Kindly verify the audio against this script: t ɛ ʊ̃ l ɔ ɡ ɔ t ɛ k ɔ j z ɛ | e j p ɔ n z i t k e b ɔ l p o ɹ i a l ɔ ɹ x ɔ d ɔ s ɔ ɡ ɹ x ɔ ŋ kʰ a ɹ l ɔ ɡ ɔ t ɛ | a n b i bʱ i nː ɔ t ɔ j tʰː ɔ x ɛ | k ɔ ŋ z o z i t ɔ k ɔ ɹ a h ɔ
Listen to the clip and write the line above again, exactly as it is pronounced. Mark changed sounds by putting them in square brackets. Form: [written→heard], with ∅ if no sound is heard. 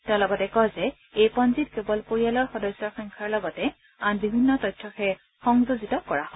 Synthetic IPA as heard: t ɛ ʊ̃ l ɔ ɡ ɔ t ɛ k ɔ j z ɛ | e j p ɔ n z i t k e b ɔ l p o ɹ i a l ɔ ɹ x ɔ d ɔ s ɔ [ɡ→∅] ɹ x ɔ ŋ kʰ a ɹ l ɔ ɡ ɔ t ɛ | a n b i bʱ i nː ɔ t ɔ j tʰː ɔ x ɛ | [k→x] ɔ ŋ z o z i t ɔ k ɔ ɹ a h ɔ